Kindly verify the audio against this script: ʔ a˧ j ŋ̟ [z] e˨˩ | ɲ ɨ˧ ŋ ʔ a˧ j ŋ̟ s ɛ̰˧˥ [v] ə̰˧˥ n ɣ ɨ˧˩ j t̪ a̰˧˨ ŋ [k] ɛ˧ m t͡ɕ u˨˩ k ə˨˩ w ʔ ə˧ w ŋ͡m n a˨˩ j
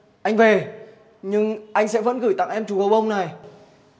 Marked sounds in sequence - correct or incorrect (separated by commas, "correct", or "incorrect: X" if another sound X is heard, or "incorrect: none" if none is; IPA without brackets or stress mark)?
incorrect: v, correct, incorrect: ʔ